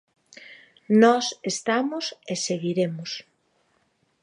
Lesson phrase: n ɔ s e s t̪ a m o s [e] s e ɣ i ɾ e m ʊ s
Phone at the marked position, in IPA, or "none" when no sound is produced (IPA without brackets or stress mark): e